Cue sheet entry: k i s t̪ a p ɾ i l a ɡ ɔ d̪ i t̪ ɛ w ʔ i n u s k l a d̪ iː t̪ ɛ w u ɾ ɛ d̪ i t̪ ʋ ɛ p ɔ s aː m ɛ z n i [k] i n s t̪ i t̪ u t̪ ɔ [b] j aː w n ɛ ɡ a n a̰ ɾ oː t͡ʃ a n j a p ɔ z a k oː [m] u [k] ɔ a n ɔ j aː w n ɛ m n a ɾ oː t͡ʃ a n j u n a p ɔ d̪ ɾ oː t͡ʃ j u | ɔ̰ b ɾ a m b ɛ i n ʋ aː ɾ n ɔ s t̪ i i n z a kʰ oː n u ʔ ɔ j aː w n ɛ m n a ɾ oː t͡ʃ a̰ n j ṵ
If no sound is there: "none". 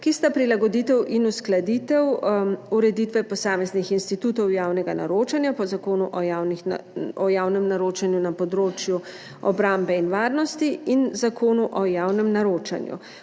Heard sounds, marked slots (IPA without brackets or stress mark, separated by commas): x, w, n, ʔ